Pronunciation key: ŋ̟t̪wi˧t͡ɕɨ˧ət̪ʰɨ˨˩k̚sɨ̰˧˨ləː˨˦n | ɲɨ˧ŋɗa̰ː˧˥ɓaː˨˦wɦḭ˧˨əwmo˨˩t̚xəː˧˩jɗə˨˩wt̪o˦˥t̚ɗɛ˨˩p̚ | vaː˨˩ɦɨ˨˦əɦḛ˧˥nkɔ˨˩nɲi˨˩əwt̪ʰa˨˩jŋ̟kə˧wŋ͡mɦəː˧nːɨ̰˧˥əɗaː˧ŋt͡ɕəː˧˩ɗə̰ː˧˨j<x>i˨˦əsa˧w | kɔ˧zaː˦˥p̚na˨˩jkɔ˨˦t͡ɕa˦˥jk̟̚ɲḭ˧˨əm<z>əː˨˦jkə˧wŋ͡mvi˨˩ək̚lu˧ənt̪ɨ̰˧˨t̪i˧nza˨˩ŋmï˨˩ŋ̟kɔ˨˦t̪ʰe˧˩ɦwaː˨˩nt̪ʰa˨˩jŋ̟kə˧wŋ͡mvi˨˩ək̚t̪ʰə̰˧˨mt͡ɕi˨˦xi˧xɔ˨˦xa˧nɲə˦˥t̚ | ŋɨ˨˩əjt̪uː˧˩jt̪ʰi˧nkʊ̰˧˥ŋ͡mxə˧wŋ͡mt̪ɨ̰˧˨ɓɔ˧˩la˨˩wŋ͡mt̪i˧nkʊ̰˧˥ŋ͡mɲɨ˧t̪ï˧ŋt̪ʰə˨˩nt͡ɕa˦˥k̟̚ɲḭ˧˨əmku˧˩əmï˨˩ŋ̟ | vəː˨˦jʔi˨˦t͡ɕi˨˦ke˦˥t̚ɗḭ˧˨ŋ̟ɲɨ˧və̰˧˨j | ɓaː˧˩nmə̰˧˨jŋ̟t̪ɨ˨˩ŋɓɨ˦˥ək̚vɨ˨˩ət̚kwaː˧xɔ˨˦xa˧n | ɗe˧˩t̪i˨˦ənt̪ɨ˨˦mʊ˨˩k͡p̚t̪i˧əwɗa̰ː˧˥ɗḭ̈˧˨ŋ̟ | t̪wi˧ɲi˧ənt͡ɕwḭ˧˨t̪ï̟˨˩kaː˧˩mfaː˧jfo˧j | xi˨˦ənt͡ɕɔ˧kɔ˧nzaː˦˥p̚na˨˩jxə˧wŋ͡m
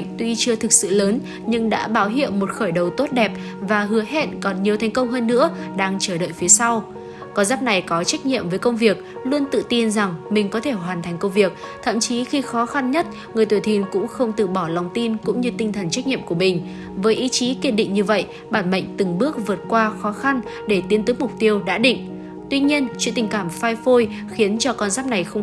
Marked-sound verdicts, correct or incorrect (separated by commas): incorrect, incorrect